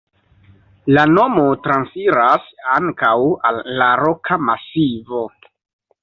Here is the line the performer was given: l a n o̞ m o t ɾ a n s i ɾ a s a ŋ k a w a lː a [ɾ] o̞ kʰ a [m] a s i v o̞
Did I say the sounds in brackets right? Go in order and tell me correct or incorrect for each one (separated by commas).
correct, correct